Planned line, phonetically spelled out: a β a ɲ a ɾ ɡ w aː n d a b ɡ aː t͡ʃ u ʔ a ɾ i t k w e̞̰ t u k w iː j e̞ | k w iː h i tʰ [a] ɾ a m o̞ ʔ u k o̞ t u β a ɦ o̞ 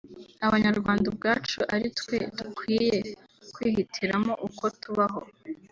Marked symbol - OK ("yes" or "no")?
no